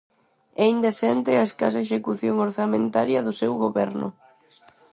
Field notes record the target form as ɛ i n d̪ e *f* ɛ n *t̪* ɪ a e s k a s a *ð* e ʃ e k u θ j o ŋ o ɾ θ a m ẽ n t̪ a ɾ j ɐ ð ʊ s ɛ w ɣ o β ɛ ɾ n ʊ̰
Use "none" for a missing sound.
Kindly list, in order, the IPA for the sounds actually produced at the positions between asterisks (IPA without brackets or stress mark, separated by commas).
θ, t̪, none